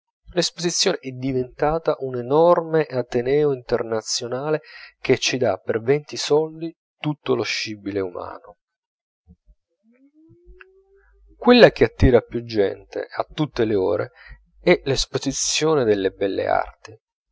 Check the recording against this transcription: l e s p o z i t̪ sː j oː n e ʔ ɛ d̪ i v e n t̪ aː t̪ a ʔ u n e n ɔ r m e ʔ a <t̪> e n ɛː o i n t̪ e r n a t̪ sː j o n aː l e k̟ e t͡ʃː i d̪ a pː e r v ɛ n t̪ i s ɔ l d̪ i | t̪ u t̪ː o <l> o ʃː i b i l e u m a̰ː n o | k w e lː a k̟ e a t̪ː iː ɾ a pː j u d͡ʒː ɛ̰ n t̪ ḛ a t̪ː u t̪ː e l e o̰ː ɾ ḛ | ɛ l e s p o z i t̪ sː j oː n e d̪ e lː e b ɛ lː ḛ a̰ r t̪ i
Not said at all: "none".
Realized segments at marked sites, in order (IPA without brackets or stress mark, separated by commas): t̪, l